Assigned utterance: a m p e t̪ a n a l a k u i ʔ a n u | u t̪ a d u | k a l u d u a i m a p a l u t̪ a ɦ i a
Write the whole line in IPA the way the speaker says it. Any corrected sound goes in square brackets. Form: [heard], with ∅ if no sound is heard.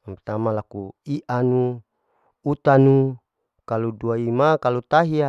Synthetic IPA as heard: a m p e t̪ a [m] a l a k u i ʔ a n u | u t̪ a [n] u | k a l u d u a i m a [k] a l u t̪ a ɦ i a